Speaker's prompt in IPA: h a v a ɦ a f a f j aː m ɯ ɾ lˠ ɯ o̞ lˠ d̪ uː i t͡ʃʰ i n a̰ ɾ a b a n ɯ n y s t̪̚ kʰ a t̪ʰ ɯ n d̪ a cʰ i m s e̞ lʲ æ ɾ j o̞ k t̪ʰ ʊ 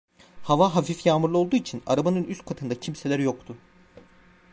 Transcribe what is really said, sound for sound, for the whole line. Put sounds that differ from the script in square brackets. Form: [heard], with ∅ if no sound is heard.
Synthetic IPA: h a v a ɦ a f [i] f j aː m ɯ ɾ lˠ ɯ o̞ lˠ d̪ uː i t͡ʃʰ i n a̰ ɾ a b a n ɯ n y s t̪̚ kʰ a t̪ʰ ɯ n d̪ a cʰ i m s e̞ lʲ æ ɾ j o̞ k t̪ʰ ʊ